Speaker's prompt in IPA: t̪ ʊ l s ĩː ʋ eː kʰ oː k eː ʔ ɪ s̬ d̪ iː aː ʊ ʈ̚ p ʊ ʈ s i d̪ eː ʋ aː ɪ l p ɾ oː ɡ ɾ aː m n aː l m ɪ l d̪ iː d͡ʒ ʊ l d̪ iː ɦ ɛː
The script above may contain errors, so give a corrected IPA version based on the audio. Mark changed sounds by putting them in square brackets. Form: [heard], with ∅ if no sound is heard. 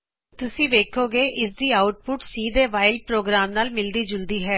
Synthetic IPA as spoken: t̪ ʊ [∅] s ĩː ʋ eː kʰ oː [ɡ] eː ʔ ɪ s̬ d̪ iː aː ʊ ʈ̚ p ʊ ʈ s [iː] d̪ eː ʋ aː ɪ l p ɾ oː ɡ ɾ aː m n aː l m ɪ l d̪ iː d͡ʒ ʊ l d̪ iː ɦ ɛː